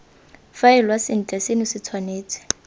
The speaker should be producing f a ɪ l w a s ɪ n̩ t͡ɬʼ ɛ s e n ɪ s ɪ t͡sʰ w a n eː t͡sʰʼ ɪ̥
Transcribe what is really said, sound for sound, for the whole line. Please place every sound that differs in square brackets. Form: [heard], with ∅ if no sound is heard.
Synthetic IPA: f a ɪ l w a s ɪ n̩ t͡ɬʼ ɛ s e n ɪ s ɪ t͡sʰ w a n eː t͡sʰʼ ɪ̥